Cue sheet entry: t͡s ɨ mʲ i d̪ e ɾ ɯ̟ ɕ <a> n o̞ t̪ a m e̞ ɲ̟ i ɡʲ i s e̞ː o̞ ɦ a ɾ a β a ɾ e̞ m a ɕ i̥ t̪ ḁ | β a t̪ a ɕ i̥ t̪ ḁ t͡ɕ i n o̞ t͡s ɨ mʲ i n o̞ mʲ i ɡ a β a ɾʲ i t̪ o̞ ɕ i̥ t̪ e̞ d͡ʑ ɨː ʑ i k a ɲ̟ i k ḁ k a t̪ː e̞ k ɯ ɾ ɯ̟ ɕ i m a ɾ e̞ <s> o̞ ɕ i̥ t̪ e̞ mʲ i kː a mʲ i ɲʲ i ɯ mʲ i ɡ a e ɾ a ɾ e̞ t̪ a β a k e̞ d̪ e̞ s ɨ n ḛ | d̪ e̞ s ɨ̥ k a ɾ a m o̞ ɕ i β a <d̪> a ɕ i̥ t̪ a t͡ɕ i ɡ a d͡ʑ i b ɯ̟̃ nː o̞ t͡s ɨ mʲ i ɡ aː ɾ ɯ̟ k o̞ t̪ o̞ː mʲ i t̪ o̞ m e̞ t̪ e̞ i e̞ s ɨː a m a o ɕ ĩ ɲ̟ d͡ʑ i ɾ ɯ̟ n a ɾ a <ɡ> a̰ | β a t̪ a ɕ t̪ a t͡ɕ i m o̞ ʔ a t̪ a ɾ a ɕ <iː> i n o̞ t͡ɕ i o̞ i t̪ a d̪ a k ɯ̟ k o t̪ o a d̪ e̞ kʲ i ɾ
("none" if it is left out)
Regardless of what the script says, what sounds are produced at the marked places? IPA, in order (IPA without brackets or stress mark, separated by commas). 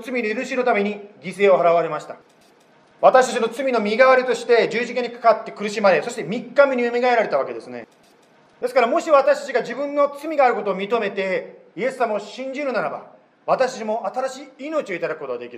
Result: i, s, t̪, b, iː